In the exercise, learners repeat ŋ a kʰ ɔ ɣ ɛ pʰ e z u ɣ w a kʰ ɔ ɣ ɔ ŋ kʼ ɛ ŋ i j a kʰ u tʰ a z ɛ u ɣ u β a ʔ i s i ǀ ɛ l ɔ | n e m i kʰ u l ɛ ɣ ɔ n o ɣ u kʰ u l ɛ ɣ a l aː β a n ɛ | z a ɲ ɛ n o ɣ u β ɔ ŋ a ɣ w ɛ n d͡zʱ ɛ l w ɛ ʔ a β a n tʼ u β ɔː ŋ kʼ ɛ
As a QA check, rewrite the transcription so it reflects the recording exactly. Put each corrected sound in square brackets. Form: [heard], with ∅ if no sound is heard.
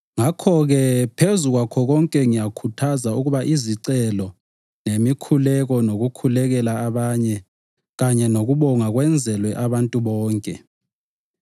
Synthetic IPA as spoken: ŋ a kʰ ɔ ɣ ɛ pʰ e z u ɣ w a kʰ ɔ ɣ ɔ ŋ kʼ ɛ ŋ i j a kʰ u tʰ a z [a] u ɣ u β a ʔ i [z] i ǀ ɛ l ɔ | n e m i kʰ u l ɛ ɣ ɔ n o ɣ u kʰ u l ɛ ɣ [ɛ] l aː β a [ɲ] ɛ | [ɣ] a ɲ ɛ n o ɣ u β ɔ ŋ a ɣ w ɛ n d͡zʱ ɛ l w ɛ ʔ a β a n tʼ u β ɔː ŋ kʼ ɛ